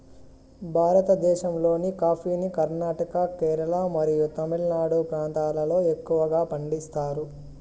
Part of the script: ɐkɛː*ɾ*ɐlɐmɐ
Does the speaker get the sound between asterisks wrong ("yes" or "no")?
no